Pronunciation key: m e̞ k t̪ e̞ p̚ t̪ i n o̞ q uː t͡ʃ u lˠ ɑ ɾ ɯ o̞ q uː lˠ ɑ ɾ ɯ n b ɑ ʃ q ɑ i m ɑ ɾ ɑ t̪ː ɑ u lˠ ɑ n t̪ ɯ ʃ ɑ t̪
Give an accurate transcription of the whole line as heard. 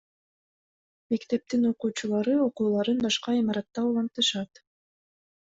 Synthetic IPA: m e̞ k t̪ e̞ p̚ t̪ i n o̞ q uː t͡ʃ u lˠ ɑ ɾ ɯ o̞ q uː lˠ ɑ ɾ ɯ n b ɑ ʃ q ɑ i m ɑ ɾ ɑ t̪ː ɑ u lˠ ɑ n t̪ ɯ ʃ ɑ t̪